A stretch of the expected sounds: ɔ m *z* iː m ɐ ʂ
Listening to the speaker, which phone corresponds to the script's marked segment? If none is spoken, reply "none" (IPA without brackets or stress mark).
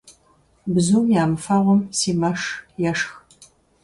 s